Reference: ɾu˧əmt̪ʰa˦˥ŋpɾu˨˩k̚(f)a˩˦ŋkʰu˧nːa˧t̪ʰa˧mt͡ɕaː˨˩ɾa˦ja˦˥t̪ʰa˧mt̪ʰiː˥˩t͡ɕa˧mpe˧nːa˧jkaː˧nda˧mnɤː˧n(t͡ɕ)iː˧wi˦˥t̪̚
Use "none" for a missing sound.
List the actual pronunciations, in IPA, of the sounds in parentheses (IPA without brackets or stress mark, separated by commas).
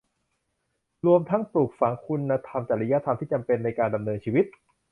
f, t͡ɕʰ